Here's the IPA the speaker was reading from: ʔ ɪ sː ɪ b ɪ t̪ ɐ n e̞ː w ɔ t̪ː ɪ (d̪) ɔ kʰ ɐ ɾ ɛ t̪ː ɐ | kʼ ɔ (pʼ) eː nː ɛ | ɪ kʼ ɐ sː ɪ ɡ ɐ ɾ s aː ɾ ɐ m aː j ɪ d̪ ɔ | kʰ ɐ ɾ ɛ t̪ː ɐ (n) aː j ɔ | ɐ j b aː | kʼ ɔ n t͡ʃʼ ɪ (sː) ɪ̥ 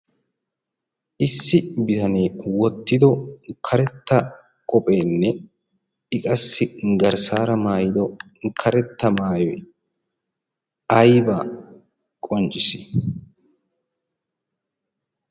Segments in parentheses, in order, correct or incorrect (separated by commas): correct, correct, incorrect, incorrect